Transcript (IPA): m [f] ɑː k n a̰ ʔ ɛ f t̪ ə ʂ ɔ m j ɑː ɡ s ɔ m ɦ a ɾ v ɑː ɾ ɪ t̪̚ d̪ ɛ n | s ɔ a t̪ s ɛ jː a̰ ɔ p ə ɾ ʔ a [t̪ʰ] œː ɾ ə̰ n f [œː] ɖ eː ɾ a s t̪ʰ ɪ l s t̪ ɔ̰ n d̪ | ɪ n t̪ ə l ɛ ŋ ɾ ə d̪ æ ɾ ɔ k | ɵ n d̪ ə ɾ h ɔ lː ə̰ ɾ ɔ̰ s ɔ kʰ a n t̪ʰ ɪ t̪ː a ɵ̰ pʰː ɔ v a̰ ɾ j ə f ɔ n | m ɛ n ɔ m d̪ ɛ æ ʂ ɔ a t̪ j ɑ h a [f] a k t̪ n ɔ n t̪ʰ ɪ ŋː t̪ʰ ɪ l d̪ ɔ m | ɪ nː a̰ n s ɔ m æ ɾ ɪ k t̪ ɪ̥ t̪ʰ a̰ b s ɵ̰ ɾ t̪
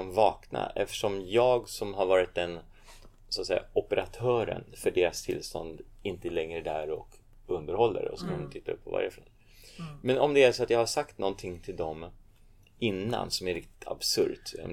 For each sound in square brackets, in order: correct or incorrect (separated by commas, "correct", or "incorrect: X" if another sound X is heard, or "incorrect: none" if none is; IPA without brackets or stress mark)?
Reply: incorrect: v, correct, incorrect: œ, incorrect: ʂ